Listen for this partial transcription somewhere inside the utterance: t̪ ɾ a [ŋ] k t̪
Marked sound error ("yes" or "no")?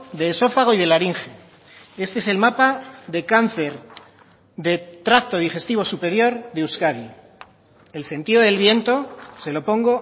yes